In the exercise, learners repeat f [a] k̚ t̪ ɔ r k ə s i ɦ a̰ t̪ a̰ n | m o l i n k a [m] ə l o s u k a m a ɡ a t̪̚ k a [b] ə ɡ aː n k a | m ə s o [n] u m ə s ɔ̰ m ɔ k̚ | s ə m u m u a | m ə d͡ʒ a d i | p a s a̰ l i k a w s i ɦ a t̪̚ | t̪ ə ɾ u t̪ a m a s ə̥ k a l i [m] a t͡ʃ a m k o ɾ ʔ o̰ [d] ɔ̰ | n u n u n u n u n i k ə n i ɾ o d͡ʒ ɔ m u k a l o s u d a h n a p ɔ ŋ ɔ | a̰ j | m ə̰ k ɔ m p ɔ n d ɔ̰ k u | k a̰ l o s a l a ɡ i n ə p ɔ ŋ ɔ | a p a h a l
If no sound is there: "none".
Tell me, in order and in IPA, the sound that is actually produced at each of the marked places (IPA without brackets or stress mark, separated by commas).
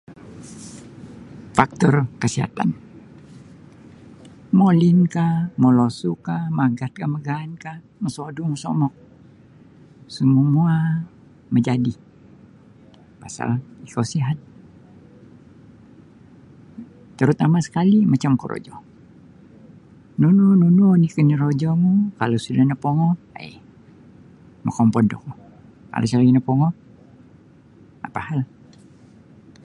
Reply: a, m, m, d, m, d͡ʒ